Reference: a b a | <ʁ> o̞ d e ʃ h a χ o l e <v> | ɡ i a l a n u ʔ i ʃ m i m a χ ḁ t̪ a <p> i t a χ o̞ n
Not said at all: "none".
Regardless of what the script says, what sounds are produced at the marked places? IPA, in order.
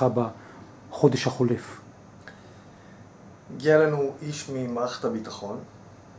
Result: χ, f, b

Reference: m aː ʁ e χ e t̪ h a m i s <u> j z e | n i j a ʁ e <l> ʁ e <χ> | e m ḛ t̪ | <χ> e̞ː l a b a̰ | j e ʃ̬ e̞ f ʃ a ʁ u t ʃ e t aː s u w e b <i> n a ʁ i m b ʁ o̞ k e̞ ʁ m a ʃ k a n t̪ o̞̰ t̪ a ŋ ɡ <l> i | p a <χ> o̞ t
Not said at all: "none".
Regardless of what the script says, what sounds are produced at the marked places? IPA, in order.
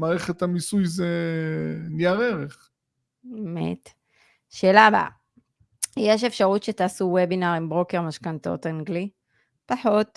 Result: u, none, χ, ʃ, i, l, ħ

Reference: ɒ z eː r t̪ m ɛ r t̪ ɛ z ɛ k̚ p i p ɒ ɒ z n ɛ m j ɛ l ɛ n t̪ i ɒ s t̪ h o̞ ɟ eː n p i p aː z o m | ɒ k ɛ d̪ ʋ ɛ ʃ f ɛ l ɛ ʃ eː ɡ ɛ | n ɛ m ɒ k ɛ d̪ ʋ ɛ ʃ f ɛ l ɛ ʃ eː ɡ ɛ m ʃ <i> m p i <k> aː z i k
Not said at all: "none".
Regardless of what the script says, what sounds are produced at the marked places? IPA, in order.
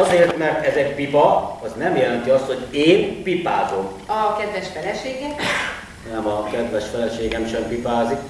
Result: ɛ, p

